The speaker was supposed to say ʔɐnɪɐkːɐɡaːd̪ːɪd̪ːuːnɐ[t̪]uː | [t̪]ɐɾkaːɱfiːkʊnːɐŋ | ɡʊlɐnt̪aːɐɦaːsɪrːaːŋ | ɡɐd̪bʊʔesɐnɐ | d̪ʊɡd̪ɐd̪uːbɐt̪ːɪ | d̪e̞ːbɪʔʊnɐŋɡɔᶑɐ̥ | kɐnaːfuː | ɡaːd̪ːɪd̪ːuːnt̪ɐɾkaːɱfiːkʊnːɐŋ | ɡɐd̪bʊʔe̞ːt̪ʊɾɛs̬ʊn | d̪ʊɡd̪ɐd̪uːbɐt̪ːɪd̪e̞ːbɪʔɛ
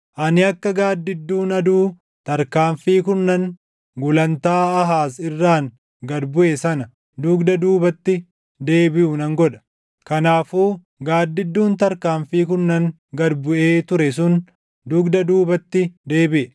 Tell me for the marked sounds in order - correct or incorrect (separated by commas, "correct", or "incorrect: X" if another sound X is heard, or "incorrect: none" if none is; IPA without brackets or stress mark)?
incorrect: d̪, correct